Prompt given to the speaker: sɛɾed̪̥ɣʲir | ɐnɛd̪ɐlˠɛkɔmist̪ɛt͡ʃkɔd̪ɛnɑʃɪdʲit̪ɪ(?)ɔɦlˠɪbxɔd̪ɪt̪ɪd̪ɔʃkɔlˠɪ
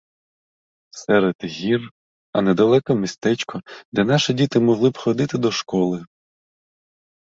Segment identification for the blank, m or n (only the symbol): m